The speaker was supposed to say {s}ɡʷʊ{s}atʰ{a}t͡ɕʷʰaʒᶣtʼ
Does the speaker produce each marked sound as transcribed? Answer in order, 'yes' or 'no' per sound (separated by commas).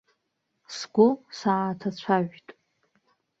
yes, yes, yes